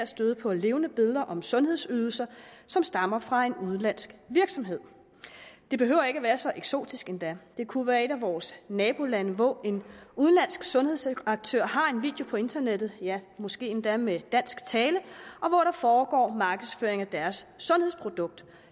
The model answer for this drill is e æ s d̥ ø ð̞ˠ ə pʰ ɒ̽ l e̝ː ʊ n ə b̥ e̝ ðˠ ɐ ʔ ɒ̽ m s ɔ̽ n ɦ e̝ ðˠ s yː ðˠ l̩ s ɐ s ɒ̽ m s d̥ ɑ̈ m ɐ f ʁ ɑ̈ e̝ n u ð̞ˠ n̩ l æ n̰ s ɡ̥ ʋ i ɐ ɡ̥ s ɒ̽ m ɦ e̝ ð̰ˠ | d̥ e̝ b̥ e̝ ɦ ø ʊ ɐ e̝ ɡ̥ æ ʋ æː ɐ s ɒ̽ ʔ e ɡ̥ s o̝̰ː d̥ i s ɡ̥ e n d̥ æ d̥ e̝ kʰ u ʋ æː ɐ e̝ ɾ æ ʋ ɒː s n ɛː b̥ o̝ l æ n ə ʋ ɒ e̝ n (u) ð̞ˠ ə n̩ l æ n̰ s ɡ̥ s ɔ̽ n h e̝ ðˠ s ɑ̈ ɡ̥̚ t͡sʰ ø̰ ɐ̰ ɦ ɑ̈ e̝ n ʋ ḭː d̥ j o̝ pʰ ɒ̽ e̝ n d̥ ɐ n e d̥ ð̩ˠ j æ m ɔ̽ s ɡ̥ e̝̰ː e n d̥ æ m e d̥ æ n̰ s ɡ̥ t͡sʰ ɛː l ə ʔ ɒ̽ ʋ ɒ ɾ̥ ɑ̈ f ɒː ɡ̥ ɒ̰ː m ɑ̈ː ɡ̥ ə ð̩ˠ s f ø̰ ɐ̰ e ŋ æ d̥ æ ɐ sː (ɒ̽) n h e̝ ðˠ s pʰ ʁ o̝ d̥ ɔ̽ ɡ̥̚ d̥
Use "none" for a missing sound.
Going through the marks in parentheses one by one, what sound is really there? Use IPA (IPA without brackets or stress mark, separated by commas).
u, ɔ̽